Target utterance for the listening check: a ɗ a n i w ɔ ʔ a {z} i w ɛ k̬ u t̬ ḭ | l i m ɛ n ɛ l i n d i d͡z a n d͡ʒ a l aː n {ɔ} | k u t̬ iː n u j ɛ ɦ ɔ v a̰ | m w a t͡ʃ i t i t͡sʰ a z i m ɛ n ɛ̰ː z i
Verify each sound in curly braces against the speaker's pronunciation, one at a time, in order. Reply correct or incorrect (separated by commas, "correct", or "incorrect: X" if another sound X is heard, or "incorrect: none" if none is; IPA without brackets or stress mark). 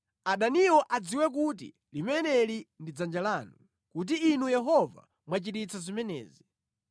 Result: incorrect: d͡z, incorrect: u